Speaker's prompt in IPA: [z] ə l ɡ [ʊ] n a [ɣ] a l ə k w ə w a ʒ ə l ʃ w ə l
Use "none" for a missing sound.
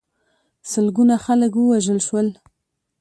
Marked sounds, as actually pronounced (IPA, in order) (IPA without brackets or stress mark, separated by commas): s, u, x